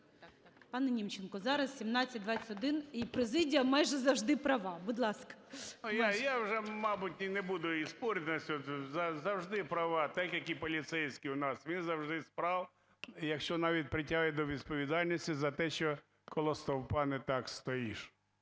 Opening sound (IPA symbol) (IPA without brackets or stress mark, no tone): p